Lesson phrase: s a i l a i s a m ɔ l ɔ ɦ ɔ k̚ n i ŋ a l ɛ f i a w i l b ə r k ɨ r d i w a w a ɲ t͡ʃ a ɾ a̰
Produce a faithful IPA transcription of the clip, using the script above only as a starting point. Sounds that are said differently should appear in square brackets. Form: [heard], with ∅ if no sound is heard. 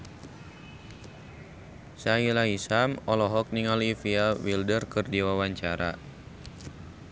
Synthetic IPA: s a i l a i s a m ɔ l ɔ ɦ ɔ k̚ n i ŋ a l [i] f i a w i l [d] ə r k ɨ r d i w a w a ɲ t͡ʃ a ɾ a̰